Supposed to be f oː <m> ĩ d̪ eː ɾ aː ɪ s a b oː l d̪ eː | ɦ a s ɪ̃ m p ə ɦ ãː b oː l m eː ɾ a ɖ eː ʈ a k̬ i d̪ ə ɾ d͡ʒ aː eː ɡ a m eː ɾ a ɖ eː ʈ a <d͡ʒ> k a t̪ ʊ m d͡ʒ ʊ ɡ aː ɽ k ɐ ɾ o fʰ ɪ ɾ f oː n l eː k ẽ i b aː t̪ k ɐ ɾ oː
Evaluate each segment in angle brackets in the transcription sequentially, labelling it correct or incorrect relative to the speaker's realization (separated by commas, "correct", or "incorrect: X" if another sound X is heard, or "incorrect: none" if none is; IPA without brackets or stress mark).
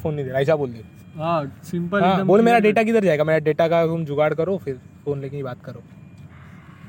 incorrect: n, incorrect: none